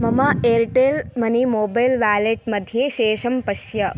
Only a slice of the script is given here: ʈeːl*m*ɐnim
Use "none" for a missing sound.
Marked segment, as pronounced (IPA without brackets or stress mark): m